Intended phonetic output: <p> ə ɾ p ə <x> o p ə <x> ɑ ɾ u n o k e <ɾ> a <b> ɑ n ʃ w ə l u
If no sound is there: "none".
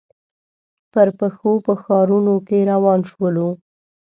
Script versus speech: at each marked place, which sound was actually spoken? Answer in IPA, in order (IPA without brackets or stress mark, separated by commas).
p, x, x, ɾ, w